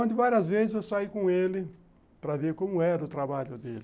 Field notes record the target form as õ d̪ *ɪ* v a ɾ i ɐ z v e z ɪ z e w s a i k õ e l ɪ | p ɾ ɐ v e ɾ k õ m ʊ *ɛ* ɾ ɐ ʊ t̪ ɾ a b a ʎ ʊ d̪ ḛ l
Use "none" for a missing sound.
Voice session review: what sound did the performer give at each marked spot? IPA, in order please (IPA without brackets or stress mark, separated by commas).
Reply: ɪ, ɛ